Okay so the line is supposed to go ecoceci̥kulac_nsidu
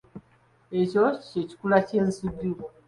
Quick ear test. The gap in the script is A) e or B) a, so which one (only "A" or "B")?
A